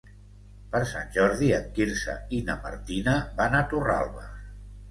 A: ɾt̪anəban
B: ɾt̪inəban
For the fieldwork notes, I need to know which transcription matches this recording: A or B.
B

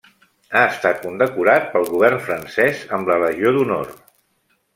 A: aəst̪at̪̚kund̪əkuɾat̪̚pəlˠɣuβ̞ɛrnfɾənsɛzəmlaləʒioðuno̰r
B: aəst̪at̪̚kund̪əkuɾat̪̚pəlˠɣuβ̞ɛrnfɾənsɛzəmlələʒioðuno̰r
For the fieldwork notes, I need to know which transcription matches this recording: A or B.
B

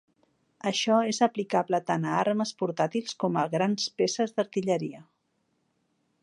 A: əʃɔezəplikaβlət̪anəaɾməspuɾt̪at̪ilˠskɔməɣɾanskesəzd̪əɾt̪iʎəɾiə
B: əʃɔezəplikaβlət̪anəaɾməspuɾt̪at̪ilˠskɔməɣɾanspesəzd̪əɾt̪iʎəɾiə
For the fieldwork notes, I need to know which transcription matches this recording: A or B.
B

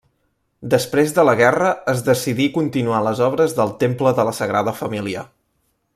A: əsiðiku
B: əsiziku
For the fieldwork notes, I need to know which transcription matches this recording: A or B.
A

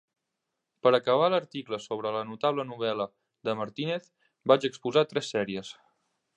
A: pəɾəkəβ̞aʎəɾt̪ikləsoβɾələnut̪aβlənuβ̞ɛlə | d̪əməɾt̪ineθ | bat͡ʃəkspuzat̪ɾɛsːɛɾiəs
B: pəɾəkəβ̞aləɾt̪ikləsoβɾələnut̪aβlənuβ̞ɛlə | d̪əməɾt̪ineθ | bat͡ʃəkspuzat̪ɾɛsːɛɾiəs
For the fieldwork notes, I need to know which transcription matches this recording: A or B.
B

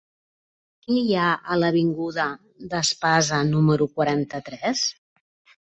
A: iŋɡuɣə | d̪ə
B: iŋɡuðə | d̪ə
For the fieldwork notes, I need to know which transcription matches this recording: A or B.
B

